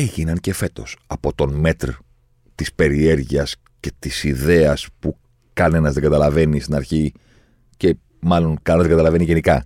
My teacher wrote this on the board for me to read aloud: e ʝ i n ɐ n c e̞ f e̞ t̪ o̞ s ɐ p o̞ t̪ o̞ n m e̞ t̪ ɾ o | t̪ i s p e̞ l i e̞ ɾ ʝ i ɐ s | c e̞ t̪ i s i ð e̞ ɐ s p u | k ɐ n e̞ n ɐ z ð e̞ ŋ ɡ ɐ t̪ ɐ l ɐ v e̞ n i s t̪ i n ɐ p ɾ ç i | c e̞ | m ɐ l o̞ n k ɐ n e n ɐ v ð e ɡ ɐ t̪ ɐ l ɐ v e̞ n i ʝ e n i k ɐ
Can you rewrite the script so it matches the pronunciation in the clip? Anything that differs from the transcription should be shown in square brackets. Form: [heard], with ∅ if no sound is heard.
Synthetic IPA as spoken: e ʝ i n ɐ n c e̞ f e̞ t̪ o̞ s ɐ p o̞ t̪ o̞ n m e̞ t̪ ɾ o | t̪ i s p e̞ [ɾ] i e̞ ɾ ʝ i ɐ s | c e̞ t̪ i s i ð e̞ ɐ s p u | k ɐ n e̞ n ɐ z ð e̞ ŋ ɡ ɐ t̪ ɐ l ɐ v e̞ n i s t̪ i n ɐ [∅] ɾ ç i | c e̞ | m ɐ l o̞ n k ɐ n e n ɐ [z] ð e ɡ ɐ t̪ ɐ l ɐ v e̞ n i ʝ e n i k ɐ